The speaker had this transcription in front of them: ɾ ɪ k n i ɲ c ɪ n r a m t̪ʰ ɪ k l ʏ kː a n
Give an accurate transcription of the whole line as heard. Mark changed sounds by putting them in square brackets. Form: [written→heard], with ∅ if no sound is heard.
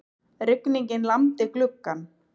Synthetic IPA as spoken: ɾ ɪ k n i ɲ c ɪ n [r→l] a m [t̪ʰ→t̪] ɪ k l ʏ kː a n

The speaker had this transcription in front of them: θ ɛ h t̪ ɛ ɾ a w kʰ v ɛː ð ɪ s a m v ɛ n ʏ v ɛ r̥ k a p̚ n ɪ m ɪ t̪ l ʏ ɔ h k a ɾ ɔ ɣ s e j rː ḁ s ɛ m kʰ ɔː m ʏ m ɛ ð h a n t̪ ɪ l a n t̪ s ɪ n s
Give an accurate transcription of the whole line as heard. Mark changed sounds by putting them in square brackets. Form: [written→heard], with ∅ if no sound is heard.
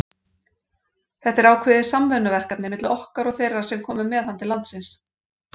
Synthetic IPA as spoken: θ ɛ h t̪ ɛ ɾ a w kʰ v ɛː ð ɪ s a m v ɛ n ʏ v ɛ r̥ k a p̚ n ɪ m ɪ t̪ l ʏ ɔ h k a ɾ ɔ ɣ [s→θ] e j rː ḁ s ɛ m kʰ ɔː m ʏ m ɛ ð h a n t̪ ɪ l a n t̪ s ɪ n s

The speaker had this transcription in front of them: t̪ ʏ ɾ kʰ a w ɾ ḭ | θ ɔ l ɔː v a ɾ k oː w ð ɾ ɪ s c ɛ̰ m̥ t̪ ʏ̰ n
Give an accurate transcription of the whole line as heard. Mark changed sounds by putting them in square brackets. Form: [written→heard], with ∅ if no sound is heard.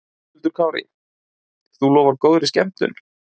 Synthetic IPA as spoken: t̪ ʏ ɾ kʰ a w ɾ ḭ | θ [ɔ→u] l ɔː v a ɾ k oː w ð ɾ ɪ s c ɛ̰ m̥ t̪ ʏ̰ n

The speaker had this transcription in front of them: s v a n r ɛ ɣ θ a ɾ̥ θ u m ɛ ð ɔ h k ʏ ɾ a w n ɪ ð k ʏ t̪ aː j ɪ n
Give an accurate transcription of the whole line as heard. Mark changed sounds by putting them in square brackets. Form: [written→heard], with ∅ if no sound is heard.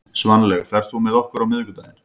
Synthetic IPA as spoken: s v a n [r→l] ɛ ɣ θ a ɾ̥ θ u m ɛ ð ɔ h k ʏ ɾ a w [n→m] ɪ ð k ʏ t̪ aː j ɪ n

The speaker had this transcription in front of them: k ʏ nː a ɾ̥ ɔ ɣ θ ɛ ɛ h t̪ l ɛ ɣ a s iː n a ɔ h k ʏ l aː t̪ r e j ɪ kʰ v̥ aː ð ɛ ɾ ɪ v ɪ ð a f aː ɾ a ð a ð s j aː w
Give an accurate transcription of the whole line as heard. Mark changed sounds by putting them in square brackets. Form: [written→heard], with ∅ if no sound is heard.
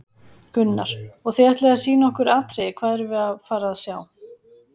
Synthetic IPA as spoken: k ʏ nː a ɾ̥ ɔ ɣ θ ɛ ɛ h t̪ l ɛ ɣ a s iː n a ɔ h k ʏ [l→ɾ] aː t̪ [r→ɾ] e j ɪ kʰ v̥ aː ð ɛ ɾ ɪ v ɪ ð a f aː ɾ a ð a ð s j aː w

